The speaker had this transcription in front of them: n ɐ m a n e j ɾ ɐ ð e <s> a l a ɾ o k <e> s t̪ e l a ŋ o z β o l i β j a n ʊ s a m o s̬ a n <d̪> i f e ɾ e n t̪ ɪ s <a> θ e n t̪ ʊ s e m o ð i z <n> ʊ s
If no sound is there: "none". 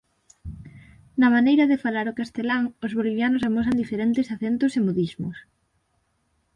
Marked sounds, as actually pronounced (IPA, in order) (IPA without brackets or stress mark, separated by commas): f, a, d̪, a, m